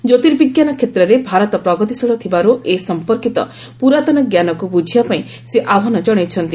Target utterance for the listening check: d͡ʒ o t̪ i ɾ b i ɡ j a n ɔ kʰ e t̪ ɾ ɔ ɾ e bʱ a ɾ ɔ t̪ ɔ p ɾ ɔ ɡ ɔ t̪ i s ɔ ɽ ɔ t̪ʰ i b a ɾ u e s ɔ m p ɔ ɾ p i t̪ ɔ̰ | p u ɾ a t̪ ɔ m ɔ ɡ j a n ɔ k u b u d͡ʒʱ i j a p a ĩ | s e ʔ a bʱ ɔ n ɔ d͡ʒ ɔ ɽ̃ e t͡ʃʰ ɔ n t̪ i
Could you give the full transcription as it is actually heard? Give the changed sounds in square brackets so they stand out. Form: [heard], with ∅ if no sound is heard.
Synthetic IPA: d͡ʒ o t̪ i ɾ b i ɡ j a n ɔ kʰ e t̪ ɾ ɔ ɾ e bʱ a ɾ ɔ t̪ ɔ p ɾ ɔ ɡ ɔ t̪ i s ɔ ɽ ɔ t̪ʰ i b a ɾ u e s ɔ m p ɔ ɾ [k] i t̪ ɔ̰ | p u ɾ a t̪ ɔ [n] ɔ ɡ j a n ɔ k u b u d͡ʒʱ i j a p a ĩ | s e ʔ a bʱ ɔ n ɔ d͡ʒ ɔ ɽ̃ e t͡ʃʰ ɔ n t̪ i